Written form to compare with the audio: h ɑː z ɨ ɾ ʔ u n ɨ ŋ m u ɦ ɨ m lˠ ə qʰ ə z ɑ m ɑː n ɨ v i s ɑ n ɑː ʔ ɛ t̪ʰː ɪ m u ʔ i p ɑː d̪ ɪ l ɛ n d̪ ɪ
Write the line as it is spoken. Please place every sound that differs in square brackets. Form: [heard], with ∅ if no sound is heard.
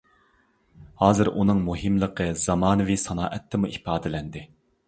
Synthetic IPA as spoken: h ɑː z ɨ ɾ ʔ u n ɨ ŋ m u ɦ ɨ m lˠ ə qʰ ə z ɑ m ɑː n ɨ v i s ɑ n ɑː ʔ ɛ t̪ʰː ɪ m u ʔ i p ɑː d̪ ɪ l ɛ n d̪ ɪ